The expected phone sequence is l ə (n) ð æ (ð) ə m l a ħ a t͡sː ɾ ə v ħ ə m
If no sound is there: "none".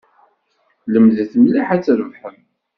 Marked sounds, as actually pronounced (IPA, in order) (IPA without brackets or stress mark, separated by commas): m, θ